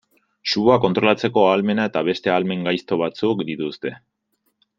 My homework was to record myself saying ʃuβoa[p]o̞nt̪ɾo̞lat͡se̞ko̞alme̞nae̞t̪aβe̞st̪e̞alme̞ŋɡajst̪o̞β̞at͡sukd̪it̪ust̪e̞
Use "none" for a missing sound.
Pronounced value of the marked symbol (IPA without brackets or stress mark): k